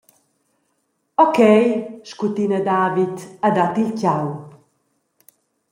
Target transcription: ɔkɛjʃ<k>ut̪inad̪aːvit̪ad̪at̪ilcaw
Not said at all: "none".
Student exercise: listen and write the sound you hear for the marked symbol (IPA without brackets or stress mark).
k